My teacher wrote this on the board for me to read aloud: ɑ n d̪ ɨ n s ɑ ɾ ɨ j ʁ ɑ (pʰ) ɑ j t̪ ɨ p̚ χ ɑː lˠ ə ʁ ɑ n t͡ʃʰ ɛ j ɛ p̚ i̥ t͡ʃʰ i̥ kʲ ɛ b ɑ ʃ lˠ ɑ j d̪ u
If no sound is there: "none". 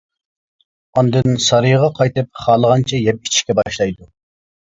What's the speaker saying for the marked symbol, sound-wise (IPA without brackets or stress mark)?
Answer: qʰ